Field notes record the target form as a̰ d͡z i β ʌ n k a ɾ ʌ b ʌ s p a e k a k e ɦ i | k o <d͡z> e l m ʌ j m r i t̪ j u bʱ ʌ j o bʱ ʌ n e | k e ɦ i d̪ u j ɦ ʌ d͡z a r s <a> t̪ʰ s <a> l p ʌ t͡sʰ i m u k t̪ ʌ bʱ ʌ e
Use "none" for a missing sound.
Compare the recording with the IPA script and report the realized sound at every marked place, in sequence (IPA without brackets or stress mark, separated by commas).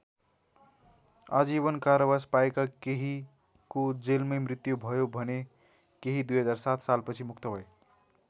d͡z, a, a